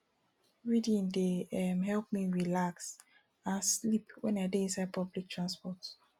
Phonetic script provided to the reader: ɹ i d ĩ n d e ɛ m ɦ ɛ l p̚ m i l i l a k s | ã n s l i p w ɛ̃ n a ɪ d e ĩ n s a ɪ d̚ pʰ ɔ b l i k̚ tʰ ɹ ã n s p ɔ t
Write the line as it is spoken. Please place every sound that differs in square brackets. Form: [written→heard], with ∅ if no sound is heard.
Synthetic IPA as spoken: ɹ i d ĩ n d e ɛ m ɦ ɛ l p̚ m i [l→ɹ] i l a k s | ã n s l i p w ɛ̃ n a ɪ d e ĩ n s a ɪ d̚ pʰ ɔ b l i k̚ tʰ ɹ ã n s p ɔ t